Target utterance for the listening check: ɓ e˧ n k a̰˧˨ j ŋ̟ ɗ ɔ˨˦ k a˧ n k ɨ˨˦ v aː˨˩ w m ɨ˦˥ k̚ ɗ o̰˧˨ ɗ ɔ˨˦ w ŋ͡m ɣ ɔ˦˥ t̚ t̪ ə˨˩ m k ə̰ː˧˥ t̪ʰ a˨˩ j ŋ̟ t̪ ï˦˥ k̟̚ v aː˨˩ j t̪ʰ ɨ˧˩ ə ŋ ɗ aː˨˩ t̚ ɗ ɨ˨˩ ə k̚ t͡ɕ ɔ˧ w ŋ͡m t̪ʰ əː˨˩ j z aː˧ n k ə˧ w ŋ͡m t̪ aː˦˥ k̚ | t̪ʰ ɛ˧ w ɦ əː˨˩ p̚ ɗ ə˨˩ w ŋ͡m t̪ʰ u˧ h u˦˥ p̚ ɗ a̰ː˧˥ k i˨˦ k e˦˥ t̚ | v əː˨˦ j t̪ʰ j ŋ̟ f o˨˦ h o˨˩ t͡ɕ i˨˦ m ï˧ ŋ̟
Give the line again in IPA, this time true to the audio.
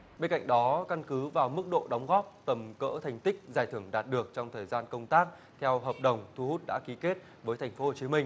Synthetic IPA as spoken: ɓ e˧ n k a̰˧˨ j ŋ̟ ɗ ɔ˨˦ k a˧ n k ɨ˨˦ v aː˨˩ w m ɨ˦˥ k̚ ɗ o̰˧˨ ɗ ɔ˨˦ w ŋ͡m ɣ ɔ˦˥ p̚ t̪ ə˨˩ m k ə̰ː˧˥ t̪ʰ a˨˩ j ŋ̟ t̪ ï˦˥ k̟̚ z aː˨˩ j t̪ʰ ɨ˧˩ ə ŋ ɗ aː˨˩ t̚ ɗ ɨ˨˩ ə k̚ t͡ɕ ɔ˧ w ŋ͡m t̪ʰ əː˨˩ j z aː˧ n k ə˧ w ŋ͡m t̪ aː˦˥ k̚ | t̪ʰ ɛ˧ w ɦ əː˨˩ p̚ ɗ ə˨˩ w ŋ͡m t̪ʰ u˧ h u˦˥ t̚ ɗ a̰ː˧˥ k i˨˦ k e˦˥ t̚ | v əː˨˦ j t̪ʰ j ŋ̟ f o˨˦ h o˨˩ t͡ɕ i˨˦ m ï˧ ŋ̟